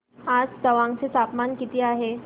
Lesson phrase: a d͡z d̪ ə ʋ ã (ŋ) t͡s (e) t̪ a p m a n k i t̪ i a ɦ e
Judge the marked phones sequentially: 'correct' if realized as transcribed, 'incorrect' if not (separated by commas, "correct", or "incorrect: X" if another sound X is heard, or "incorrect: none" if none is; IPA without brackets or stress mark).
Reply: correct, correct